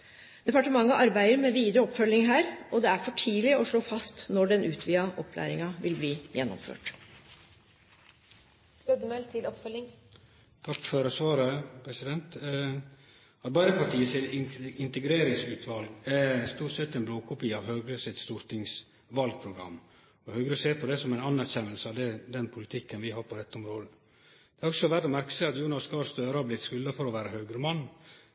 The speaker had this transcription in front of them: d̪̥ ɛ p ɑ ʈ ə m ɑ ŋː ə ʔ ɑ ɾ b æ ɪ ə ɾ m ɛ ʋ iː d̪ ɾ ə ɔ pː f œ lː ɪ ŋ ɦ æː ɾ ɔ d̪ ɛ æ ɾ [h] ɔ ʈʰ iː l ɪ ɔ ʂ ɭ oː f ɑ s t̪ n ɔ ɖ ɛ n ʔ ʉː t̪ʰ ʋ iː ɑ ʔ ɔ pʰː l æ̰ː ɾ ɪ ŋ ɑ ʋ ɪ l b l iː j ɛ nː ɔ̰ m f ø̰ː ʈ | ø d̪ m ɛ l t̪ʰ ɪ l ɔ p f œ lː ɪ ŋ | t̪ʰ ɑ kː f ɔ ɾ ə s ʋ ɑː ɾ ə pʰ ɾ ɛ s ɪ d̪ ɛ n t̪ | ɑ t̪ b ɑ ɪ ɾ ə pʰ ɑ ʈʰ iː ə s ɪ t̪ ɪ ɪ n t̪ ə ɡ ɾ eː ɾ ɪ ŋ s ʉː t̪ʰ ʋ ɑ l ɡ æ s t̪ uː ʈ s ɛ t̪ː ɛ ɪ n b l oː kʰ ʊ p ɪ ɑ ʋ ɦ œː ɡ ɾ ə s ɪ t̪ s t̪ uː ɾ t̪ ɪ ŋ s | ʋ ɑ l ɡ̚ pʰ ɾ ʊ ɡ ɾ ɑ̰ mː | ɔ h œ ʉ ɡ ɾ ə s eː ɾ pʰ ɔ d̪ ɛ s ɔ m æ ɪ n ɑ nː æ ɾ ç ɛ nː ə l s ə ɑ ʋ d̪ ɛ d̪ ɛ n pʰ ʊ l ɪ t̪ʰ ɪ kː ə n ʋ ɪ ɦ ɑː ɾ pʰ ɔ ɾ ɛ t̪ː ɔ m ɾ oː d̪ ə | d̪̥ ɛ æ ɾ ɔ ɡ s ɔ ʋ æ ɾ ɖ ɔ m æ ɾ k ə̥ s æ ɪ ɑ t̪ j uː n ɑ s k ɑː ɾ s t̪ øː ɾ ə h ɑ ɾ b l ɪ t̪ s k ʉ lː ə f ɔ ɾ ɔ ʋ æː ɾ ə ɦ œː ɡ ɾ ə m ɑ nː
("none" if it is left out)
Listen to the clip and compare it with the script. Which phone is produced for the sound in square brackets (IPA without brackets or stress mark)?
f